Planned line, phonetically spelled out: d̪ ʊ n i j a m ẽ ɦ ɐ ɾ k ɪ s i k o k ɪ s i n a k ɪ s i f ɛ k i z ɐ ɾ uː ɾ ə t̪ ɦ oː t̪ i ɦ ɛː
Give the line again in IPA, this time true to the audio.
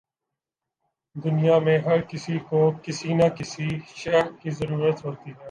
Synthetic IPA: d̪ ʊ n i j a m ẽ ɦ ɐ ɾ k ɪ s i k o k ɪ s i n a k ɪ s i ʃ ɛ k i z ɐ ɾ uː ɾ ə t̪ ɦ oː t̪ i ɦ ɛː